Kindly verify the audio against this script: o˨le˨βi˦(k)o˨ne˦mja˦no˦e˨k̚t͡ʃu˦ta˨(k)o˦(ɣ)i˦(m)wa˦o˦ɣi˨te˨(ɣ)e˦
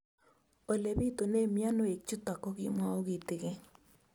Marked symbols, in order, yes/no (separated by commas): no, yes, yes, yes, yes